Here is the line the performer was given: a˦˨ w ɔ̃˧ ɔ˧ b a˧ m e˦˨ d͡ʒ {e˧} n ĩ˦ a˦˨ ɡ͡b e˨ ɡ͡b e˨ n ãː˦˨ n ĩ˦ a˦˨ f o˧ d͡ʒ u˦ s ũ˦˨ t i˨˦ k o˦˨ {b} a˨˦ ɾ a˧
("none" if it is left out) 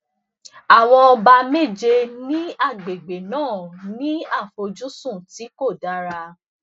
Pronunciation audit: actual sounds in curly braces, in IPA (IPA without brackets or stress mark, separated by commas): e˧, d